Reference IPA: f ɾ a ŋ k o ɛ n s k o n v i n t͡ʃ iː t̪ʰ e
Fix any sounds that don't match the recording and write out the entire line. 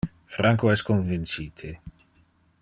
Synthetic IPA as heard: f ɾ a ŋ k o ɛ s k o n v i n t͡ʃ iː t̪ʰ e